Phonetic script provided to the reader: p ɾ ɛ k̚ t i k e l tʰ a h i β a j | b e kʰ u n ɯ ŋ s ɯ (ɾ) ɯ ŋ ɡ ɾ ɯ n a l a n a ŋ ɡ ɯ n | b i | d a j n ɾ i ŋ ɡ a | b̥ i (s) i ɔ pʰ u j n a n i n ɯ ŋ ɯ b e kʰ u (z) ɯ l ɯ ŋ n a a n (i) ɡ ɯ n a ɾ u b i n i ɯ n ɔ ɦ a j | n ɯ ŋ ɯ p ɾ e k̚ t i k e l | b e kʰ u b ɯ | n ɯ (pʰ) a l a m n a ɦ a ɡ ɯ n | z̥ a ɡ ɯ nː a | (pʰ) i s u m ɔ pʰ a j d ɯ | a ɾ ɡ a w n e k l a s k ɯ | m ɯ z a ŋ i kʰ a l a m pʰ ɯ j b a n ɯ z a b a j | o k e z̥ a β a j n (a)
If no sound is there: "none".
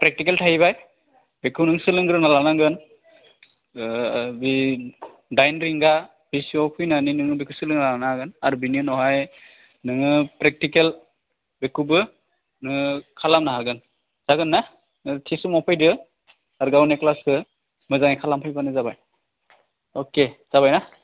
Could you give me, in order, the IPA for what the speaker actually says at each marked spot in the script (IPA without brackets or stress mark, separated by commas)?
l, s, s, a, kʰ, tʰ, a